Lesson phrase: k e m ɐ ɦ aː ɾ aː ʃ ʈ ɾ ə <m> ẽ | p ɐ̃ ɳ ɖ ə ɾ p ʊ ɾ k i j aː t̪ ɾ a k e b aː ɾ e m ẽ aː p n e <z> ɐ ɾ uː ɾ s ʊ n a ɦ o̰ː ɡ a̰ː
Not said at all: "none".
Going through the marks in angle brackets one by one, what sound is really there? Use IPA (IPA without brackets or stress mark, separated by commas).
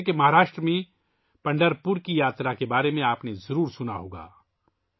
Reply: m, z